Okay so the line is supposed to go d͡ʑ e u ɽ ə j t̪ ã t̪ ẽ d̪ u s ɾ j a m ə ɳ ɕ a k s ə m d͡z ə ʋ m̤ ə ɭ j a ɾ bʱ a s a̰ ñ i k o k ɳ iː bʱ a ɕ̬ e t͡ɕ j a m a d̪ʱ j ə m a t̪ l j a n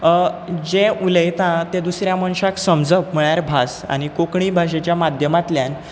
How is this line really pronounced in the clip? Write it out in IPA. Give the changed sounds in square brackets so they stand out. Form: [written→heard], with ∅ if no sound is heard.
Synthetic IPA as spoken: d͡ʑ e u [ɽ→l] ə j t̪ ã t̪ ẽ d̪ u s ɾ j a m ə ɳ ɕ a k s ə m d͡z ə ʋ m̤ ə ɭ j a ɾ bʱ a s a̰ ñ i k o k ɳ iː bʱ a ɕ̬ e t͡ɕ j a m a d̪ʱ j ə m a t̪ l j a n

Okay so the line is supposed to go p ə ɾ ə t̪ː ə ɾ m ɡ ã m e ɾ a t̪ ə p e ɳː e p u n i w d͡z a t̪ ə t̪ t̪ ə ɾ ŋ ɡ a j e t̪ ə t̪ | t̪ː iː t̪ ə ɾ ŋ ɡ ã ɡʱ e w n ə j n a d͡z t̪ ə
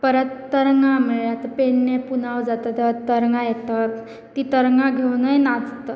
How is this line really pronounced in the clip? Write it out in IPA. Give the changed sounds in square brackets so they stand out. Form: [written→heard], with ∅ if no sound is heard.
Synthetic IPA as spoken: p ə ɾ ə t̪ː ə ɾ [m→ŋ] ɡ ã m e [ɾ→ɭ] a t̪ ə p e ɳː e p u n [i→a] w d͡z a t̪ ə t̪ t̪ ə ɾ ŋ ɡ a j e t̪ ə t̪ | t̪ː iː t̪ ə ɾ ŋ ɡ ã ɡʱ e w n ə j n a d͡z t̪ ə

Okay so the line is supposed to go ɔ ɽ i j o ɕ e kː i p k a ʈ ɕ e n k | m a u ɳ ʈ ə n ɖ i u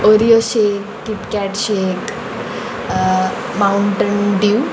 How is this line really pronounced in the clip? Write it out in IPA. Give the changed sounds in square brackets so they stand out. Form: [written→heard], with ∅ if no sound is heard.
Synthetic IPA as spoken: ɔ [ɽ→ɾ] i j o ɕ e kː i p k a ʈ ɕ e [n→∅] k | m a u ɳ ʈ ə n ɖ i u

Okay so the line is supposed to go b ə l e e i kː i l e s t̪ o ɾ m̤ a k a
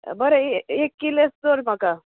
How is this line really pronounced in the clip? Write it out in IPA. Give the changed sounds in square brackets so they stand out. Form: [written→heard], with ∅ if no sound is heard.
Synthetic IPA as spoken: b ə [l→ɾ] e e [i→e] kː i l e s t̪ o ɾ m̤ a k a

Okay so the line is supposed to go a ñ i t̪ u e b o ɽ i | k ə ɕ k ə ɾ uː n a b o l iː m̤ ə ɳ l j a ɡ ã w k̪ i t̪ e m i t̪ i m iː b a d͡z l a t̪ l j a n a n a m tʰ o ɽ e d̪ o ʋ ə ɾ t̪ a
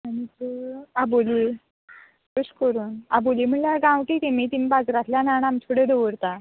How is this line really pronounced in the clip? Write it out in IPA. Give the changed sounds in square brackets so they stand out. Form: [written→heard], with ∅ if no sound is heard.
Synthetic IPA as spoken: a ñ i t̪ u [e→a] b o [ɽ→l] i | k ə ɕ k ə ɾ uː n a b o l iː m̤ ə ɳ l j a ɡ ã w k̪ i t̪ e m i t̪ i m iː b a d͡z [l→ɾ] a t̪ l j a n a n a m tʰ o ɽ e d̪ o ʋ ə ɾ t̪ a

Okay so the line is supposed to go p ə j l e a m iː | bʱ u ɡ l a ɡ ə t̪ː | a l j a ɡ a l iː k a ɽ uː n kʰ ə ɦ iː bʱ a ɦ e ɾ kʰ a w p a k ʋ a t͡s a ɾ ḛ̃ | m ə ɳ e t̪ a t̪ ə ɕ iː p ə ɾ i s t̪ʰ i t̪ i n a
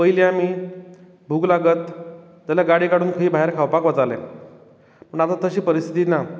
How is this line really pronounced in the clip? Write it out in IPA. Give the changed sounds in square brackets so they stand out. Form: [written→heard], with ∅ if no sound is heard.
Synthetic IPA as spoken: p ə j l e a m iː | bʱ u ɡ l a ɡ ə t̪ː | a l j a ɡ a [l→ɽ] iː k a ɽ uː n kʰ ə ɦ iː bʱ a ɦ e ɾ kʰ a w p a k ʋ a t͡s a [ɾ→l] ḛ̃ | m ə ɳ [e→a] t̪ a t̪ ə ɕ iː p ə ɾ i s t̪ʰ i t̪ i n a

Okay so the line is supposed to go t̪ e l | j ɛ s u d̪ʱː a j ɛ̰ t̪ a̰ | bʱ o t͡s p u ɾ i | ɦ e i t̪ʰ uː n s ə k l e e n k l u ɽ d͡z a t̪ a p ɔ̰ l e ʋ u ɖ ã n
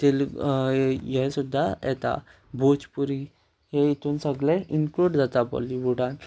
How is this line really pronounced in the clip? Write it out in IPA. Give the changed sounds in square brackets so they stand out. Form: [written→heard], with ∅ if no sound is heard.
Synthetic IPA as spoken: t̪ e l | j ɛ s u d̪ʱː a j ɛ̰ t̪ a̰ | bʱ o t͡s p u ɾ i | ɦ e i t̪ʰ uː n s ə [k→ɡ] l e [e→i] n k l u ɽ d͡z a t̪ a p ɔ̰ l [e→i] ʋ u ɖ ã n

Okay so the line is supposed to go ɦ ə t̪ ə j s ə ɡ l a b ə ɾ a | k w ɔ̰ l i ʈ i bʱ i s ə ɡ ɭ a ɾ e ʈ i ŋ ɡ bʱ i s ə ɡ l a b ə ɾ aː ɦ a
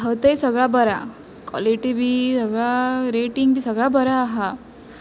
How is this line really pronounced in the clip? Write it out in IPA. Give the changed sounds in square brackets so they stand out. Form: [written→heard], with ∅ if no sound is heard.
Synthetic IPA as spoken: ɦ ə t̪ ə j s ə ɡ [l→ɭ] a b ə ɾ a | k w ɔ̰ l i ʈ i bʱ i s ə ɡ ɭ a ɾ e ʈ i ŋ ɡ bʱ i s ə ɡ [l→ɭ] a b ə ɾ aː ɦ a

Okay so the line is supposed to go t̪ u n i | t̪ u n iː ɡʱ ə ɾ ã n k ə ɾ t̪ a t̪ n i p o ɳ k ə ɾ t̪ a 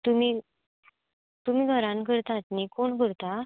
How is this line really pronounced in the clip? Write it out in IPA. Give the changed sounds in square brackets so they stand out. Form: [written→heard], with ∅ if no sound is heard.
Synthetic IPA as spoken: t̪ u [n→m] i | t̪ u [n→m] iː ɡʱ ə ɾ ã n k ə ɾ t̪ a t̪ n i [p→k] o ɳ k ə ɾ t̪ a

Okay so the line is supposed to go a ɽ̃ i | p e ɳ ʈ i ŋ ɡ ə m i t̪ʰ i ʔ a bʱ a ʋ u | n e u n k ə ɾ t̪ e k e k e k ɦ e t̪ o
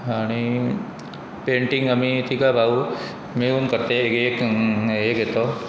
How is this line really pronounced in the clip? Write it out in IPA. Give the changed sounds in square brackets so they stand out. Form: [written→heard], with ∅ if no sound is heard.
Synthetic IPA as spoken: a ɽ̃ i | p e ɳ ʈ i ŋ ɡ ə m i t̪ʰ i [ʔ→k] a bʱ a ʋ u | [n→m] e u n k ə ɾ t̪ e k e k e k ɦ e t̪ o

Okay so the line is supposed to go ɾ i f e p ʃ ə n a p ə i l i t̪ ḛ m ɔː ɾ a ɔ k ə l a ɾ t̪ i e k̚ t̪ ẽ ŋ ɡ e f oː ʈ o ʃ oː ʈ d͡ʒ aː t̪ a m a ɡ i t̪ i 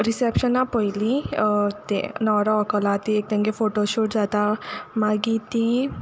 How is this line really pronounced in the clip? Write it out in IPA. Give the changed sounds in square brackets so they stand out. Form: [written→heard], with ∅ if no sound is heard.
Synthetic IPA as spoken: ɾ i [f→s] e p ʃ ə n a p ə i l i t̪ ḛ [m→n] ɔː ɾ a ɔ k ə l a [ɾ→∅] t̪ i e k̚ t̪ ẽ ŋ ɡ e f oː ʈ o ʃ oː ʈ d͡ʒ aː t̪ a m a ɡ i t̪ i

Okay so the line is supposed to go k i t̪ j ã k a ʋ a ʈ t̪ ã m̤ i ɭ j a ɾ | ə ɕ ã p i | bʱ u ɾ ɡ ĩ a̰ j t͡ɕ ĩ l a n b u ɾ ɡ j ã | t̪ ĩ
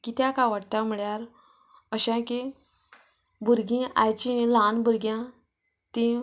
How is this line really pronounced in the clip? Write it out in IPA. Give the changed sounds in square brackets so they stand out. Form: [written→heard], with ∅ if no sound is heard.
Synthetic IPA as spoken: k i t̪ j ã k a ʋ a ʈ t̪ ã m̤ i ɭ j a ɾ | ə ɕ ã [p→k] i | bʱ u ɾ ɡ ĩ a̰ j t͡ɕ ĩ l a n b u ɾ ɡ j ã | t̪ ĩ

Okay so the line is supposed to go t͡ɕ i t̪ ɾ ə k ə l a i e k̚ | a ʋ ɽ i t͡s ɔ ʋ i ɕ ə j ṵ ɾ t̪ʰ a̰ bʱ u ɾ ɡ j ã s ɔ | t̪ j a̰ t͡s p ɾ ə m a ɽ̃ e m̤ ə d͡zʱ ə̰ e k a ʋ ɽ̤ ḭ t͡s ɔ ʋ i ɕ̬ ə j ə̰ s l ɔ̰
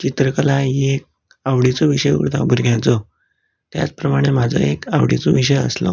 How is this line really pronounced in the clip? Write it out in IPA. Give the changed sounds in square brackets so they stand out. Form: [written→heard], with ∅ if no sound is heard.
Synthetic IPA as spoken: t͡ɕ i t̪ ɾ ə k ə l a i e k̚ | a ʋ ɽ i t͡s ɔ ʋ i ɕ ə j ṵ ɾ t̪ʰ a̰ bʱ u ɾ ɡ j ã [s→t͡s] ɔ | t̪ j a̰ t͡s p ɾ ə m a ɽ̃ e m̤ [ə→a] d͡zʱ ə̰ e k a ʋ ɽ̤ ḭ t͡s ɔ ʋ i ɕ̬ ə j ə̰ s l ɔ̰

